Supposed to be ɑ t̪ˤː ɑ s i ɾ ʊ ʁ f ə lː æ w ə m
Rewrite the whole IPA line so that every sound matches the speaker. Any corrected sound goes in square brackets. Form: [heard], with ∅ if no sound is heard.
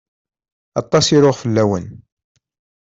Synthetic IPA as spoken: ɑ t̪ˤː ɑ s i ɾ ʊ ʁ f ə lː æ w ə [n]